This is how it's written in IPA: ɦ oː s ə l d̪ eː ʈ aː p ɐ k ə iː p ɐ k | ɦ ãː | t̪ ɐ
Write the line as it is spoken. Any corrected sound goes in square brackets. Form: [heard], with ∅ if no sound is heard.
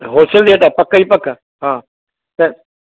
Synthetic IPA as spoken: ɦ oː s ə l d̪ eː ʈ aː p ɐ k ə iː p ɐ k | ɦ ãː | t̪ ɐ